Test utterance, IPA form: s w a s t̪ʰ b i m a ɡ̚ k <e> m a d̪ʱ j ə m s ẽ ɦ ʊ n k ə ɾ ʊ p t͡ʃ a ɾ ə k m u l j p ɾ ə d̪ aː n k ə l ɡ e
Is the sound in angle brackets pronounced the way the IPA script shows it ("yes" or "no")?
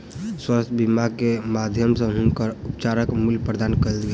yes